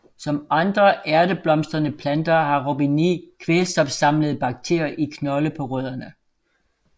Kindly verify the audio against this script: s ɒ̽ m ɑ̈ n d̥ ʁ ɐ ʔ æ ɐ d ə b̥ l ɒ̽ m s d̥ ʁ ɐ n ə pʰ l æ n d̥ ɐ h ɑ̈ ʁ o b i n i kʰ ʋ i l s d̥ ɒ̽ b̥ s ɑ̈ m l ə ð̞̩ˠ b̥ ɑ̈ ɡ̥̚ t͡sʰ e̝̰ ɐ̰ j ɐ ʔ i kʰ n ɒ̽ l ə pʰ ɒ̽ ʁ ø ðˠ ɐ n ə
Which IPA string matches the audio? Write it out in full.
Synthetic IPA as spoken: s ɒ̽ m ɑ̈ n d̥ ʁ ɐ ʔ æ ɐ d ə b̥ l ɒ̽ m s d̥ ʁ ɐ n ə pʰ l æ n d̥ ɐ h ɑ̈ ʁ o b i n i kʰ ʋ e l s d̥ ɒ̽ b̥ s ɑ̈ m l ə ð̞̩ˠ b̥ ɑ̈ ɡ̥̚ t͡sʰ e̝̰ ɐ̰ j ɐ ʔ i kʰ n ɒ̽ l ə pʰ ɒ̽ ʁ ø ðˠ ɐ n ə